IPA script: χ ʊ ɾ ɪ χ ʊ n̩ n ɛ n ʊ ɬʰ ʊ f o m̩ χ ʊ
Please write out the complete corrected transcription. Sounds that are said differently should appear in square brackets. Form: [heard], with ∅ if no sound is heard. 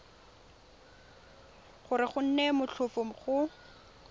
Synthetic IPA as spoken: χ ʊ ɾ ɪ χ ʊ n̩ n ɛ [m] ʊ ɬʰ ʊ f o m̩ χ ʊ